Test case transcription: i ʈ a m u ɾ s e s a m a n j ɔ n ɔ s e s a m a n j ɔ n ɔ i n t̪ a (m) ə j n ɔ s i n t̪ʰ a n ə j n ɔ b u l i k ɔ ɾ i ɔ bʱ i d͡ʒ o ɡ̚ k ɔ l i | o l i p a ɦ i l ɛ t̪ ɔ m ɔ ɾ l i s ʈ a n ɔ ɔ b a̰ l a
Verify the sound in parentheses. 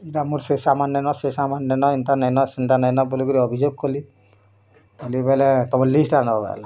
incorrect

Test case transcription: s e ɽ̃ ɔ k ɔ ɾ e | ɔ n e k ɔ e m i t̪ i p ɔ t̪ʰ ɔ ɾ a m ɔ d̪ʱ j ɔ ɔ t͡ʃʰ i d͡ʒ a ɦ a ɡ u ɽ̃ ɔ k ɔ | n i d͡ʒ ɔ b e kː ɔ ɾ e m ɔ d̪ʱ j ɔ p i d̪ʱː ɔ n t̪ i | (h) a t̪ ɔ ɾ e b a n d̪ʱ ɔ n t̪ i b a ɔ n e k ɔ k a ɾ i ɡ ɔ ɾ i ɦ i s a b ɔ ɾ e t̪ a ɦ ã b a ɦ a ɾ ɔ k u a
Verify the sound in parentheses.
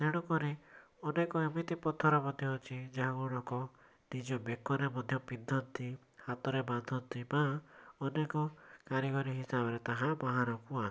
correct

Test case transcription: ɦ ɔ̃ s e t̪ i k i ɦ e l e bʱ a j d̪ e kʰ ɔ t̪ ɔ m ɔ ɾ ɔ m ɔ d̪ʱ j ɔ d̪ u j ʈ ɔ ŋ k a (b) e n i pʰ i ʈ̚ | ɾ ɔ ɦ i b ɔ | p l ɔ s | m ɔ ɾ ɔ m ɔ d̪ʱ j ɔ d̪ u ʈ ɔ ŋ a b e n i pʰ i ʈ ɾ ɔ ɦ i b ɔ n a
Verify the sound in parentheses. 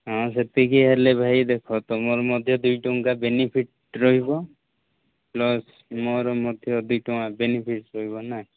correct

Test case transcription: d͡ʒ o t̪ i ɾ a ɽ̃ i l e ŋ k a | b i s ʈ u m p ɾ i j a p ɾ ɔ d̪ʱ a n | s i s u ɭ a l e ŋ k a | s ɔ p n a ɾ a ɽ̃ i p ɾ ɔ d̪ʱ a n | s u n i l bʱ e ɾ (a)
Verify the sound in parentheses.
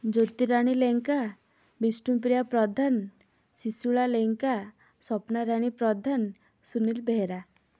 correct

